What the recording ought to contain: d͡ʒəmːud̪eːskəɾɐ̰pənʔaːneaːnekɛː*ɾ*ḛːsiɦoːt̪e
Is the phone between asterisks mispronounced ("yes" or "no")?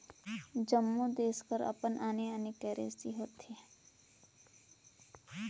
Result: no